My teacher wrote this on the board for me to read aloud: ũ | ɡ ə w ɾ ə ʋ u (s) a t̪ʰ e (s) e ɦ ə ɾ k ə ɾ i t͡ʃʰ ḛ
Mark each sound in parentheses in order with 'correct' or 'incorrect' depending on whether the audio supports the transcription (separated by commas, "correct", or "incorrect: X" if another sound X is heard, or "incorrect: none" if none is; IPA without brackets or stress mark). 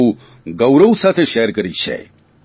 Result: correct, incorrect: ʃ